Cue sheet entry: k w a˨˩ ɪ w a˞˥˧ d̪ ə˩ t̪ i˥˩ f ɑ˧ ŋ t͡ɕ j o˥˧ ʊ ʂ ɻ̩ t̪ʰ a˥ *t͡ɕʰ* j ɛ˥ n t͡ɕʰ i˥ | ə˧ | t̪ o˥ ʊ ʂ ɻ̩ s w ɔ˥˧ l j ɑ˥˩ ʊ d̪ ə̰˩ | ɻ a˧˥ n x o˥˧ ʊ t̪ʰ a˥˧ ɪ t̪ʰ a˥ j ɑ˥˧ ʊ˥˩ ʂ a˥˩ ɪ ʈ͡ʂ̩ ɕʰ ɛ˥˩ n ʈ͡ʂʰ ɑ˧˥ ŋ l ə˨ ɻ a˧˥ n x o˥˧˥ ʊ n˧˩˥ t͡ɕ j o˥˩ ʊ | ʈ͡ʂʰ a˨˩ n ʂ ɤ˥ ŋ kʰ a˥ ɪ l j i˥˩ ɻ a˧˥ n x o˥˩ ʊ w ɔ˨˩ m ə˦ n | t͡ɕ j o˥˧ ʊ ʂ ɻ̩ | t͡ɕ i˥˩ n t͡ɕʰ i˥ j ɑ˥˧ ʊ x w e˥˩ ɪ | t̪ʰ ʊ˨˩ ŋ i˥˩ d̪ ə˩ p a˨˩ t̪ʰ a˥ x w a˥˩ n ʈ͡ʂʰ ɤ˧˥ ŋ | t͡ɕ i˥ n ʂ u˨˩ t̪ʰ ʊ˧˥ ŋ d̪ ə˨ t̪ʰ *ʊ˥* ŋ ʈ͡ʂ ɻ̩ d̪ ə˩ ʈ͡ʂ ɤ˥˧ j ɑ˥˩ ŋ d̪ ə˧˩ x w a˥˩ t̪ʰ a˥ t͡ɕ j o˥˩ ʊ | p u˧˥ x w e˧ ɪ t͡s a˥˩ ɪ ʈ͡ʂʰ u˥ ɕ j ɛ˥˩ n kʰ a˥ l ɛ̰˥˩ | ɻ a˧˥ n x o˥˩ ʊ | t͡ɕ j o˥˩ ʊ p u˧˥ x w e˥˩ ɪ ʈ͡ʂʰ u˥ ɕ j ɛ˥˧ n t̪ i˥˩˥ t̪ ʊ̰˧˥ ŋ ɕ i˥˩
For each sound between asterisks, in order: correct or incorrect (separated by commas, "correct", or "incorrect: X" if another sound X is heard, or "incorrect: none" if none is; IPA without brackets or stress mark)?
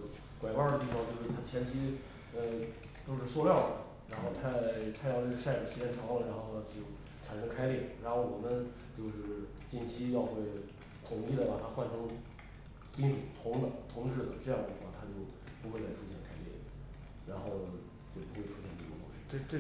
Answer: correct, incorrect: ʊ˧˥